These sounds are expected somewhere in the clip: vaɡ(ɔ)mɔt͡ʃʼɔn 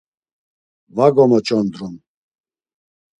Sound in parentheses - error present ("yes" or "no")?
no